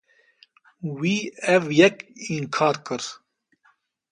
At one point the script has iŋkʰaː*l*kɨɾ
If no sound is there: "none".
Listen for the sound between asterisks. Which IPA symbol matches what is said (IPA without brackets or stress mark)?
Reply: ɾ